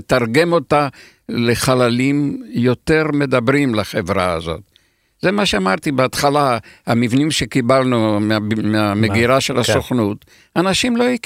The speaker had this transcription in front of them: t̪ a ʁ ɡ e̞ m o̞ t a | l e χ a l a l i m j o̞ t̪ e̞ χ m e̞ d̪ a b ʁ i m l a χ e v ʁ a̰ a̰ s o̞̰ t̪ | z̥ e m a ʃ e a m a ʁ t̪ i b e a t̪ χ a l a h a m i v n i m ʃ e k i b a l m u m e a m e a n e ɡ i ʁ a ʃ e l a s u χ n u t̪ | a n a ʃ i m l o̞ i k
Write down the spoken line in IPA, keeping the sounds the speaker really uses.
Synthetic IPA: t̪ a ʁ ɡ e̞ m o̞ t a | l e χ a l a l i m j o̞ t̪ e̞ ʁ m e̞ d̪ a b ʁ i m l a χ e v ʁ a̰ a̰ z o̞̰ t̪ | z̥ e m a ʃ e a m a ʁ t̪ i b e a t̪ χ a l a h a m i v n i m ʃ e k i b a l n u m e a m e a m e ɡ i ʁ a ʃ e l a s o χ n u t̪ | a n a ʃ i m l o̞ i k